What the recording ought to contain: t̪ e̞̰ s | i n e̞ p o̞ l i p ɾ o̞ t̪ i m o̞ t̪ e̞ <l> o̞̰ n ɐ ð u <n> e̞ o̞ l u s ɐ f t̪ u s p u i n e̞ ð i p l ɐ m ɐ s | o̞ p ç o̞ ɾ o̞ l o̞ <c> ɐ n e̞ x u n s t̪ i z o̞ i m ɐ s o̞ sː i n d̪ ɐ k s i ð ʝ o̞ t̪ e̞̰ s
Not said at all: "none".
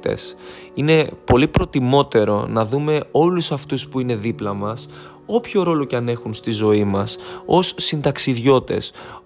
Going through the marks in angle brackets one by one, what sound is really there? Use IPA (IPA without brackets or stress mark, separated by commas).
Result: ɾ, m, c